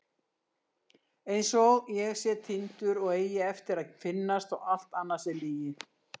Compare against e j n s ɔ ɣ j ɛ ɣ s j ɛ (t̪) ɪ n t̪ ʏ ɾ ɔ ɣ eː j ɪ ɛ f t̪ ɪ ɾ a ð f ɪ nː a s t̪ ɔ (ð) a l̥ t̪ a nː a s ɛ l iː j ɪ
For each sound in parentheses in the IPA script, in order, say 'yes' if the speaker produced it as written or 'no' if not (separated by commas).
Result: no, no